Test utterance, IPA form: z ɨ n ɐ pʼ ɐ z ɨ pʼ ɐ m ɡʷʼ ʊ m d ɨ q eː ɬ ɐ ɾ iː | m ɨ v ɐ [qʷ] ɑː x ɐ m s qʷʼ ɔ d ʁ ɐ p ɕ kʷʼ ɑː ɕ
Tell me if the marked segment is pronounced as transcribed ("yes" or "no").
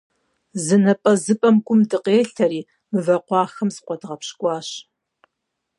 yes